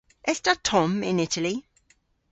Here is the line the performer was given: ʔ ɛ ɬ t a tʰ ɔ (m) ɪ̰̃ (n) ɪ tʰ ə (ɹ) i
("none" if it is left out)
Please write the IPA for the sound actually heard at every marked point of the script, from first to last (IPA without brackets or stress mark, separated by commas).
m, n, l